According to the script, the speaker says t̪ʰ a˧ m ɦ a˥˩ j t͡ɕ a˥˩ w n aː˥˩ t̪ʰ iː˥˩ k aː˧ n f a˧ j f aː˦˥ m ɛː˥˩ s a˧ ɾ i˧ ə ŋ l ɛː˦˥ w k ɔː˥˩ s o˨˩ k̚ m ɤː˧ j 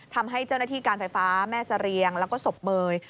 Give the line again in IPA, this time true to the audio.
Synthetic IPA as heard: t̪ʰ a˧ m ɦ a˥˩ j t͡ɕ a˥˩ w n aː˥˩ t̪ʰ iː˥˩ k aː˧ n f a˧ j f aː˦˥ m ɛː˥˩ s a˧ ɾ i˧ ə ŋ l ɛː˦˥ w k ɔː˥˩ s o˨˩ p̚ m ɤː˧ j